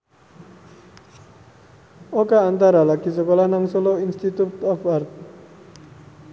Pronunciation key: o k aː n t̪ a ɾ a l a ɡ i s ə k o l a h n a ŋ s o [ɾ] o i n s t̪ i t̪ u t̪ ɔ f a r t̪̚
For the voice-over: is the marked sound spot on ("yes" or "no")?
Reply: no